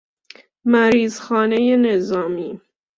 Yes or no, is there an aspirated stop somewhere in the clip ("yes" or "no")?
no